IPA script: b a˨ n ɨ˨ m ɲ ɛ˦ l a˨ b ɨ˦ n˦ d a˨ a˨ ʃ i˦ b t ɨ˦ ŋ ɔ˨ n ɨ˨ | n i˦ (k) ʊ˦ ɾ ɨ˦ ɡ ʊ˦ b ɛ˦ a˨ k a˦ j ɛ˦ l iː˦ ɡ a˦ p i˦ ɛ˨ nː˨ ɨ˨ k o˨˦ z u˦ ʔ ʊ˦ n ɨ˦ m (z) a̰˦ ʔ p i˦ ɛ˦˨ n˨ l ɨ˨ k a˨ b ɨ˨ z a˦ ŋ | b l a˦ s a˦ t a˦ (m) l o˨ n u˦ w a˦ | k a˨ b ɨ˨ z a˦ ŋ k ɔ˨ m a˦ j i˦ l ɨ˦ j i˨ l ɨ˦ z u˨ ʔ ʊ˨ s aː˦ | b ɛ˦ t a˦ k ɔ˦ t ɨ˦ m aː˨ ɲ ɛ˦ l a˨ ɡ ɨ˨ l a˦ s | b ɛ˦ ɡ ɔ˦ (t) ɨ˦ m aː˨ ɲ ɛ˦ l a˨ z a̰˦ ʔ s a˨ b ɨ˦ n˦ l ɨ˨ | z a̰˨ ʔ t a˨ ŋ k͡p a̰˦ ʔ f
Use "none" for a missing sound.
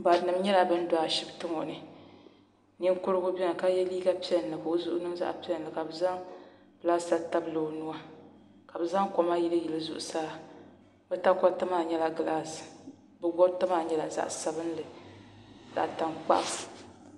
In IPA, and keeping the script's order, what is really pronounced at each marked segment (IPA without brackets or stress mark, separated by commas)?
k, z, b, t